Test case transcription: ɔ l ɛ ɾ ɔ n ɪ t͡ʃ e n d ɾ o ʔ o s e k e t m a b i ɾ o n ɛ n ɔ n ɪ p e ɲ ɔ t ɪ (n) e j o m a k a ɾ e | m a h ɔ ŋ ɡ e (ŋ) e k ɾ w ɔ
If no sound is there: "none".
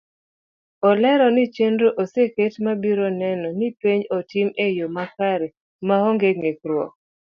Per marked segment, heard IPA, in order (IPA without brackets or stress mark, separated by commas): m, ŋ